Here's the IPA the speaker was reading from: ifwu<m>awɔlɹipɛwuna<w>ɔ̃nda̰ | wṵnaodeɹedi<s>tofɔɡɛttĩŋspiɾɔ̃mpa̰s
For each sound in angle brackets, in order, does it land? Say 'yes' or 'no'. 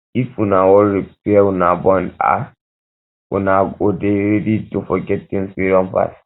no, no, no

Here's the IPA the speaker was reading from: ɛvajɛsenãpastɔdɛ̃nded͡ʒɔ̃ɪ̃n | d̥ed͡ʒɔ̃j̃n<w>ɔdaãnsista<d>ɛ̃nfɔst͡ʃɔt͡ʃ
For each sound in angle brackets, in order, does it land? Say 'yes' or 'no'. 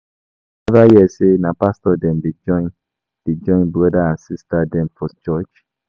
no, yes

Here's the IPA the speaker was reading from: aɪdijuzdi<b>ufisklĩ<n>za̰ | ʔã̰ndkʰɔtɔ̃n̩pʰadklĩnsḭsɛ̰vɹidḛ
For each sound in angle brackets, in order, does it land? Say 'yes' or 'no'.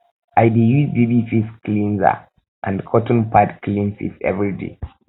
yes, yes

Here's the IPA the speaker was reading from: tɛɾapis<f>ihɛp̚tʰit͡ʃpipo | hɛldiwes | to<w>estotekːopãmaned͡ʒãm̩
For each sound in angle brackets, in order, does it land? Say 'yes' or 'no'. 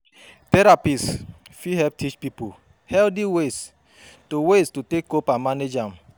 yes, yes

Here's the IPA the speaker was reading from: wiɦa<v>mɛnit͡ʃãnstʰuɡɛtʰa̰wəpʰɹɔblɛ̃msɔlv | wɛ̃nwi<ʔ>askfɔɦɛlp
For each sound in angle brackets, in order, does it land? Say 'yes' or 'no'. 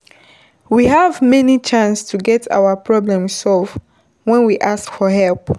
yes, yes

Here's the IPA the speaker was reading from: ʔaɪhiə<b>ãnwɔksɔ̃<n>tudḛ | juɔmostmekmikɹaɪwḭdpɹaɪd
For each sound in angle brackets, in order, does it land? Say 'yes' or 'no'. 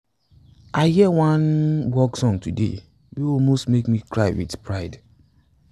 no, no

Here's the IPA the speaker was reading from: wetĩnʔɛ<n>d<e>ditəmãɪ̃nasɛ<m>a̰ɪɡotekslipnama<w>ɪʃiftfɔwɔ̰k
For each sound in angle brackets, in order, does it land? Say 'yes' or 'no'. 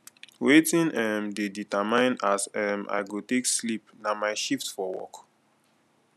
no, yes, yes, no

